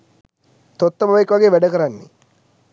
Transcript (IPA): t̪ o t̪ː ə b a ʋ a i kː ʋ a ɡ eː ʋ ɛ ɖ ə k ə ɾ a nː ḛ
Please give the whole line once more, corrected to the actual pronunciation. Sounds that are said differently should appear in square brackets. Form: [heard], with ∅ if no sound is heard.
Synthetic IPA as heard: t̪ o t̪ː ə b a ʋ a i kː ʋ a ɡ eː ʋ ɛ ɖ ə k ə ɾ a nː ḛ